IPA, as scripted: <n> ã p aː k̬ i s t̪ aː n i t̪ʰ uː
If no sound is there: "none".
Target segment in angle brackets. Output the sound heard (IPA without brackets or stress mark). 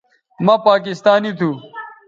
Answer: m